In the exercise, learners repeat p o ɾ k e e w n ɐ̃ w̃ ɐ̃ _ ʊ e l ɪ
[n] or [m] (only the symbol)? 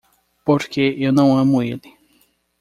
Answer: m